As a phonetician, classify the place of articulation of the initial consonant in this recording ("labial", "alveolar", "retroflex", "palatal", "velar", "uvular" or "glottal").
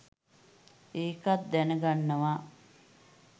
velar